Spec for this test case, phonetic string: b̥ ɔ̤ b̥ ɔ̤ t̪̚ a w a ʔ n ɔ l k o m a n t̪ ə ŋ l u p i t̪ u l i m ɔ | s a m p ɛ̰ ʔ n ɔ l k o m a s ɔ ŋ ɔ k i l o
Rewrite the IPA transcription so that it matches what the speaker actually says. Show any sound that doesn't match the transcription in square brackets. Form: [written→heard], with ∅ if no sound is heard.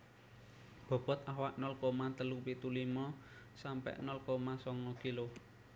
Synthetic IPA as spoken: b̥ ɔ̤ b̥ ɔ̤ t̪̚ a w a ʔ n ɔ l k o m a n t̪ ə [ŋ→∅] l u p i t̪ u l i m ɔ | s a m p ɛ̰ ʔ n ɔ l k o m a s ɔ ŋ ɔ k i l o